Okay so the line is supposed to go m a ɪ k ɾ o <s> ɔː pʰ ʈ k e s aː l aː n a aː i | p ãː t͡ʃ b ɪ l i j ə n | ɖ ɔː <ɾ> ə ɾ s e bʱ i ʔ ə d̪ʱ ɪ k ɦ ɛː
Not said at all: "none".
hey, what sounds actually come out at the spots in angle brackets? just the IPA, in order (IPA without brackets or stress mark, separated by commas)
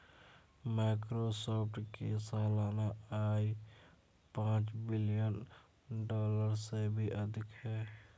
s, l